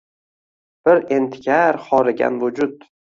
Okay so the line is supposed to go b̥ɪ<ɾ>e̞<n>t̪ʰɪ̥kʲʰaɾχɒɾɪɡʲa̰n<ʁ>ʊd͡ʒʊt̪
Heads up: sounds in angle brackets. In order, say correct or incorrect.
correct, correct, incorrect

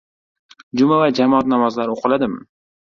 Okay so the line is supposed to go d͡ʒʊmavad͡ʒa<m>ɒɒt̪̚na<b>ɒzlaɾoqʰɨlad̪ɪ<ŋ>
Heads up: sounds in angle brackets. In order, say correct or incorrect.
correct, incorrect, incorrect

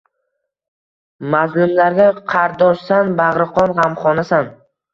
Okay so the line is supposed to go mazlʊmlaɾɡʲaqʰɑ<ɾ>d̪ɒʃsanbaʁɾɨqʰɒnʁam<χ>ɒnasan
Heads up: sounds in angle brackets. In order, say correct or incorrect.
correct, correct

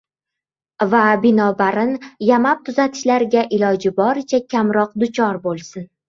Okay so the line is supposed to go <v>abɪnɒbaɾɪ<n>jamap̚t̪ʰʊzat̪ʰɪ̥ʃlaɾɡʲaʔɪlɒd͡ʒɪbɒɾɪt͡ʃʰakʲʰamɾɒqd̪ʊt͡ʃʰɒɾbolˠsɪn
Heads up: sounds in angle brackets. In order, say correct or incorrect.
correct, correct

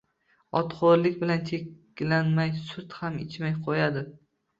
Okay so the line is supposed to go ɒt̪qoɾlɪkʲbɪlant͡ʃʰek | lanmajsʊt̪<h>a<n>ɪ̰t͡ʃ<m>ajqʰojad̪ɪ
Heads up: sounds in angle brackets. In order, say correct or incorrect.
correct, incorrect, correct

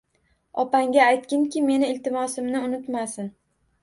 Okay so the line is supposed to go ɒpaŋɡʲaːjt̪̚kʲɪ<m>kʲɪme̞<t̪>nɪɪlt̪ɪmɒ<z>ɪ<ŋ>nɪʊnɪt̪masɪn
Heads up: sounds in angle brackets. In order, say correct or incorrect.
incorrect, incorrect, incorrect, incorrect

